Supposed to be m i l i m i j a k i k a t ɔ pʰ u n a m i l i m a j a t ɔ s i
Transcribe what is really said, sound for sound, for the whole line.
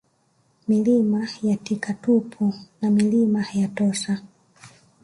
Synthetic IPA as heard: m i l i m a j a t i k a t u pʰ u n a m i l i m a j a t ɔ s a